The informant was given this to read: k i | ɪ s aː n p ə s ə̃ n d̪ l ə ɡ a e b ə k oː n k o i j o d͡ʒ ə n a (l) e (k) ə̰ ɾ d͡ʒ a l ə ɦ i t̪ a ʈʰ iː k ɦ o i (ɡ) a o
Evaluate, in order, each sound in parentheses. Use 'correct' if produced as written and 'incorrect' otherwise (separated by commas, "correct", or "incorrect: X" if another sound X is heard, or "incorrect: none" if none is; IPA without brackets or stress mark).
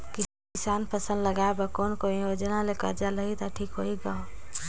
correct, correct, correct